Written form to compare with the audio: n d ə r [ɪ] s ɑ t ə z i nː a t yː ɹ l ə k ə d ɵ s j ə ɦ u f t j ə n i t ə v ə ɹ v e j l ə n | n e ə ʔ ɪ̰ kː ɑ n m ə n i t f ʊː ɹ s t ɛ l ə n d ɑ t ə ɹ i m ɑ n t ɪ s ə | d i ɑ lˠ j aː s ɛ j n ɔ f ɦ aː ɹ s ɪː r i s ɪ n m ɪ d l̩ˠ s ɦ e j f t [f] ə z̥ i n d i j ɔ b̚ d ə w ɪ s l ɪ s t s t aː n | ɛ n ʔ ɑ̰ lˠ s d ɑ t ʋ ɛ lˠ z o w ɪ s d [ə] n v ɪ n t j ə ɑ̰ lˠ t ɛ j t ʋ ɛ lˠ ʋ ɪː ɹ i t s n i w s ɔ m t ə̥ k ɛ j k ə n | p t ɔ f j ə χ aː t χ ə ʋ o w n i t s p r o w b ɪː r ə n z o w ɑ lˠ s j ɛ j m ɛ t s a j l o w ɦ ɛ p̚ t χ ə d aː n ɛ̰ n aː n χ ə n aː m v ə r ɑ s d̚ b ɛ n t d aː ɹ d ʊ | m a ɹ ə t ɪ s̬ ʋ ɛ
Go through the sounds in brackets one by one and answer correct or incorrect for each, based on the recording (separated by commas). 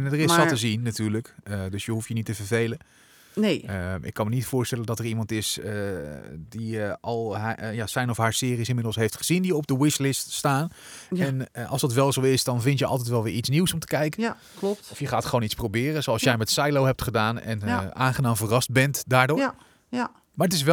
correct, incorrect, incorrect